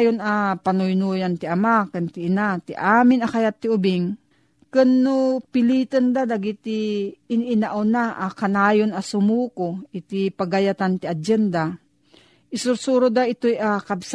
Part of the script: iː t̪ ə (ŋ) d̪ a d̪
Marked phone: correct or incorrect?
incorrect